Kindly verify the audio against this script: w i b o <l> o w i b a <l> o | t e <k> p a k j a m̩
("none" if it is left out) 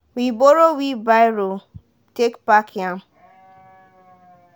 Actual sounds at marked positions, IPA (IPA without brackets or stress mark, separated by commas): ɾ, ɾ, k